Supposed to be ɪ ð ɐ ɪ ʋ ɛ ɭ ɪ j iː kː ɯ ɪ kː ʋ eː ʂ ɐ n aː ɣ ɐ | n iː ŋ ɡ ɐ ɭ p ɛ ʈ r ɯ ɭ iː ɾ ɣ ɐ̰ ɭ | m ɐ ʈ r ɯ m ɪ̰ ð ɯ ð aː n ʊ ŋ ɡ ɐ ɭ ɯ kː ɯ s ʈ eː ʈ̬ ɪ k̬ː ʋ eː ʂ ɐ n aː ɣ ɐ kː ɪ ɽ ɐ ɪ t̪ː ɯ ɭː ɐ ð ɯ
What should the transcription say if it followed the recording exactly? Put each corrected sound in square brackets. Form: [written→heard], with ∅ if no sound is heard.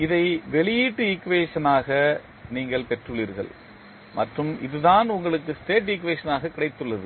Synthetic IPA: ɪ ð ɐ ɪ ʋ ɛ ɭ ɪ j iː [kː→ʈː] ɯ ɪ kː ʋ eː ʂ ɐ n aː ɣ ɐ | n iː ŋ ɡ ɐ ɭ p ɛ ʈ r ɯ ɭ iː ɾ ɣ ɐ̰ ɭ | m ɐ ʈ r ɯ m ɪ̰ ð ɯ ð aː n ʊ ŋ ɡ ɐ ɭ ɯ kː ɯ s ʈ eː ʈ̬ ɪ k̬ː ʋ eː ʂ ɐ n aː ɣ ɐ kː ɪ ɽ ɐ ɪ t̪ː ɯ ɭː ɐ ð ɯ